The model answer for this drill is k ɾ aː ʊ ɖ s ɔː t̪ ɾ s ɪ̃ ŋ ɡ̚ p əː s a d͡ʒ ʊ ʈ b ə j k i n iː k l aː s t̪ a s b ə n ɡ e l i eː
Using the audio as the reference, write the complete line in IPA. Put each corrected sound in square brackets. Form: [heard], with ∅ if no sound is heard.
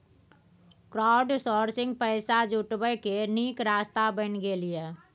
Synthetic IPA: k ɾ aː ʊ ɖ s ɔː [∅] ɾ s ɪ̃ ŋ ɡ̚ p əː s a d͡ʒ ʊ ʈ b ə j k [e] n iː k [ɾ] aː s t̪ a [∅] b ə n ɡ e l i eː